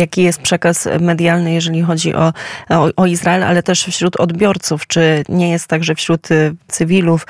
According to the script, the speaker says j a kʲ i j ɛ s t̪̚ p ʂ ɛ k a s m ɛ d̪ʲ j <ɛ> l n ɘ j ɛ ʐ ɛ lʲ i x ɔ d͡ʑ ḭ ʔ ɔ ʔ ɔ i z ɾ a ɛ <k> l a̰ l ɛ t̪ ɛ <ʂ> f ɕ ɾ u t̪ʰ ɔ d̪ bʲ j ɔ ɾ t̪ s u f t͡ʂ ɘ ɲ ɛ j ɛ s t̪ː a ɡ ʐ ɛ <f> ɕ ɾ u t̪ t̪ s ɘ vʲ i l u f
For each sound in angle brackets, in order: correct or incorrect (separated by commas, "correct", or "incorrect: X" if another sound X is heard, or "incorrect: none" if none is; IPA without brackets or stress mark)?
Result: incorrect: a, incorrect: none, correct, correct